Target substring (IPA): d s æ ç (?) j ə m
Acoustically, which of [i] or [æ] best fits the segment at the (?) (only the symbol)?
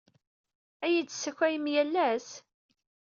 æ